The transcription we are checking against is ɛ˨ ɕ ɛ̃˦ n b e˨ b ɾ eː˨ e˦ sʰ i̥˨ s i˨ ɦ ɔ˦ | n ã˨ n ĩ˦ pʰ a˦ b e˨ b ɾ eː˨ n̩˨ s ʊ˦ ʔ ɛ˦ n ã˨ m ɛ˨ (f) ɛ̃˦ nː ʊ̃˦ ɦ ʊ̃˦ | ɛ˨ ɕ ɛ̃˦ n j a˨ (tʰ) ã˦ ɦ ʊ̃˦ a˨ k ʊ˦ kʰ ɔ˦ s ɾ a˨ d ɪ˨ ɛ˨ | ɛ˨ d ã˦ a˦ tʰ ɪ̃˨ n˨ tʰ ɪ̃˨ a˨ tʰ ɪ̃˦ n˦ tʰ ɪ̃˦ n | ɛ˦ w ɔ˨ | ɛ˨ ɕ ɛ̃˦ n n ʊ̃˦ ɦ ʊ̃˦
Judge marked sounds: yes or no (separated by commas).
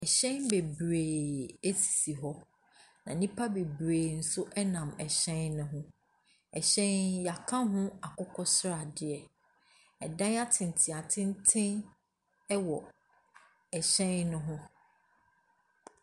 no, no